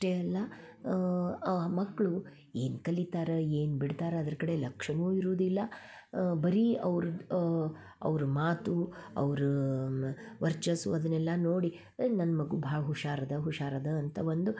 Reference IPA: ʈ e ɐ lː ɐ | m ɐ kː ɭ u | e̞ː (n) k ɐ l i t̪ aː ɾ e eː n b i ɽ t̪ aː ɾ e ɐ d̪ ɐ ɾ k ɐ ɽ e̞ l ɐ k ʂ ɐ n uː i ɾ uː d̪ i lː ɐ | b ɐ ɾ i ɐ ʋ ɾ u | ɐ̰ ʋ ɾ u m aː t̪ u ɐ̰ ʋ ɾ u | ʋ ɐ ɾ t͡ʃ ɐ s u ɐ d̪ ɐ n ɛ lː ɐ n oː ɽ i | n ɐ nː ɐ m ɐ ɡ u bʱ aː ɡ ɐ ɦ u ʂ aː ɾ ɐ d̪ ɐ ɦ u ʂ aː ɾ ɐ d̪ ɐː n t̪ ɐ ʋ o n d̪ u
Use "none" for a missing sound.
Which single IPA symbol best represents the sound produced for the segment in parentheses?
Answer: n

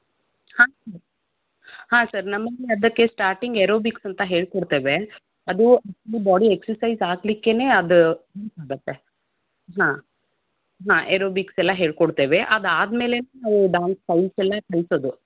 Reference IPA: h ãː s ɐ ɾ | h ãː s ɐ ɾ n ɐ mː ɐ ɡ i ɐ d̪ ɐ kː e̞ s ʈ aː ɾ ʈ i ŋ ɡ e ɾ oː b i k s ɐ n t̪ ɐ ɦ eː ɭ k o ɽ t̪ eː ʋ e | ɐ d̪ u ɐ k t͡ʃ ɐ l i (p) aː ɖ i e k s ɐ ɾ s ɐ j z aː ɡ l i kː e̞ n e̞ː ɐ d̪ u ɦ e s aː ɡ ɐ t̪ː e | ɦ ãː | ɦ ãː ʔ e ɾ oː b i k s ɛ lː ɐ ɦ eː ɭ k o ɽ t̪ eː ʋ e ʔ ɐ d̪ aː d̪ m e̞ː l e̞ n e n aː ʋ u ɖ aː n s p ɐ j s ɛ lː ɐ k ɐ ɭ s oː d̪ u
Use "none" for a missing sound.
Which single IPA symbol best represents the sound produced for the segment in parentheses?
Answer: b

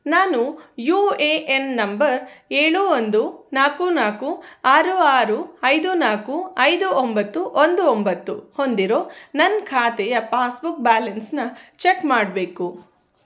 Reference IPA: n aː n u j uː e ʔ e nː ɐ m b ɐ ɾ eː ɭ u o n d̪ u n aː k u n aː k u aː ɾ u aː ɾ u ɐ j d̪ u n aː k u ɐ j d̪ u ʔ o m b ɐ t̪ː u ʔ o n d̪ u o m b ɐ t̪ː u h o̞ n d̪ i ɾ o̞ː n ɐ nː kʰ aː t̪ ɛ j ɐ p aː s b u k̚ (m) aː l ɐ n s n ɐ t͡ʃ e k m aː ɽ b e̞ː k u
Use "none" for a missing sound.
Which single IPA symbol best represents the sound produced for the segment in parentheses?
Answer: b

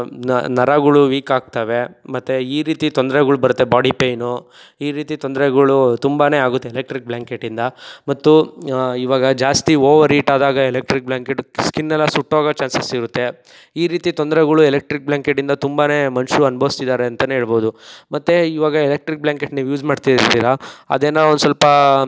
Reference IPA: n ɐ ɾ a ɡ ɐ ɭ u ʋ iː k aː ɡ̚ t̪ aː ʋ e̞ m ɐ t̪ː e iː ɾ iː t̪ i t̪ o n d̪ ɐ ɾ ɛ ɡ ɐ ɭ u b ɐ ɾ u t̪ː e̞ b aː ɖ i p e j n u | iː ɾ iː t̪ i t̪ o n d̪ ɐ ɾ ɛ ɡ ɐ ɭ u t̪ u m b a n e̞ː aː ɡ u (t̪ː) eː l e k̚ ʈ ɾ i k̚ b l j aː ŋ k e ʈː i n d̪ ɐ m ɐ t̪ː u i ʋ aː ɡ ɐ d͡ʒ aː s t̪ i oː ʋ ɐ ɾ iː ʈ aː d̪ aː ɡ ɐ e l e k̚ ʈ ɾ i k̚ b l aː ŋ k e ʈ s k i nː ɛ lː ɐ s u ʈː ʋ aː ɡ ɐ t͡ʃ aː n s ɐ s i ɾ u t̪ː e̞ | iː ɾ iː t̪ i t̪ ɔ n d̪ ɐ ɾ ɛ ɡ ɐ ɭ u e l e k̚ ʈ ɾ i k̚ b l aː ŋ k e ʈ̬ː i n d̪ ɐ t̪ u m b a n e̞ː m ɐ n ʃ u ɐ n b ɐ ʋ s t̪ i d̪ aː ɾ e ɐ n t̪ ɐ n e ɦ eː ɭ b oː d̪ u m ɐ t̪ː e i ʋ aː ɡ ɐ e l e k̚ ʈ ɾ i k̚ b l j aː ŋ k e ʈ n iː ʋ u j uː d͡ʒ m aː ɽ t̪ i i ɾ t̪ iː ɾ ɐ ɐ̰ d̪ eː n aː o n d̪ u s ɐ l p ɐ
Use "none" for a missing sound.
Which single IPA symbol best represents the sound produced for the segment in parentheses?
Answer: t̪ː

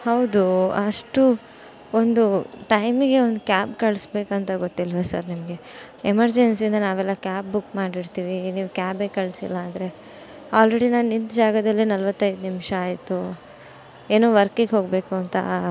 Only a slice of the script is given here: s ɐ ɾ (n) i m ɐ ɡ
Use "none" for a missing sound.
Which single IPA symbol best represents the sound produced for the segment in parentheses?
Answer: n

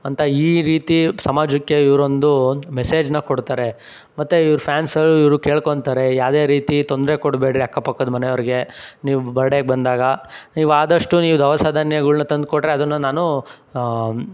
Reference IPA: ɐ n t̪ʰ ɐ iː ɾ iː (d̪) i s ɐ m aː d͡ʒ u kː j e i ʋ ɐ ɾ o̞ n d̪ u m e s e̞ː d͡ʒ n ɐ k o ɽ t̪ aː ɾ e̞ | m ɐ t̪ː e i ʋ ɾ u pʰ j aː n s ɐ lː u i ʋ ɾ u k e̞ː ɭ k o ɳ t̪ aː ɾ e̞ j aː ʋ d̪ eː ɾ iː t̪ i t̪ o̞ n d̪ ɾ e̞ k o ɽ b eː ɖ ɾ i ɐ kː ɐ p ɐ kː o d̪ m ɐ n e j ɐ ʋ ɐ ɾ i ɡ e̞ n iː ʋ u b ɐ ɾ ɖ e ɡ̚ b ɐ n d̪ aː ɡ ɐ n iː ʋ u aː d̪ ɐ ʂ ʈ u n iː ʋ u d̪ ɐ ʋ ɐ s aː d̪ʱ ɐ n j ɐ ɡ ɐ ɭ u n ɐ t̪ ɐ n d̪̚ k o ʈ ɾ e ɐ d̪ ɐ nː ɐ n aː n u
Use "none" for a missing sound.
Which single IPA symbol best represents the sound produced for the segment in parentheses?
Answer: t̪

